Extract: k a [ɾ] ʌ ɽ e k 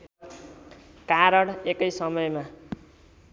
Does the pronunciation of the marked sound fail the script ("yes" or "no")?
no